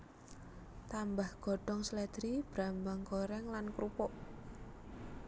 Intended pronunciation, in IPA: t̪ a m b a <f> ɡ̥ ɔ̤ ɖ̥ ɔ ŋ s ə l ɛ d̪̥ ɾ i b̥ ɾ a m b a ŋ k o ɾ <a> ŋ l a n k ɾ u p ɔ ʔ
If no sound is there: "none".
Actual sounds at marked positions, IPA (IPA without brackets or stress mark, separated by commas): h, ɛ